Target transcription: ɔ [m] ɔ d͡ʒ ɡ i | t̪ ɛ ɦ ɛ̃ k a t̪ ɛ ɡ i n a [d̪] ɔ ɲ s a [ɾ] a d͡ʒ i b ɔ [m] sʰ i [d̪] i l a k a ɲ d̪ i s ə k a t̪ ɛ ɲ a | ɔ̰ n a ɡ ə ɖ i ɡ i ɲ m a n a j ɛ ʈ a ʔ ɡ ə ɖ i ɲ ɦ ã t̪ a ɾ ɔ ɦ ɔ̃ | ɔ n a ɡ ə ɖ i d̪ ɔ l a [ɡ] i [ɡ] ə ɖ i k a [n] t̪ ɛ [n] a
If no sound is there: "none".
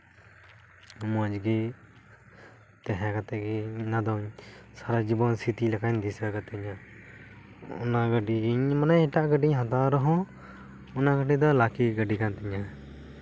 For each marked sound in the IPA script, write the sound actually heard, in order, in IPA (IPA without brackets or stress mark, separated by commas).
m, d̪, ɾ, n, t̪, k, ɡ, n, ɲ